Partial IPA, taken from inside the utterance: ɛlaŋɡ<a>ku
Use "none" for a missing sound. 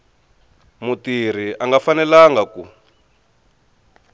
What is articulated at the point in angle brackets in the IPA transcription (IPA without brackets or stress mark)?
a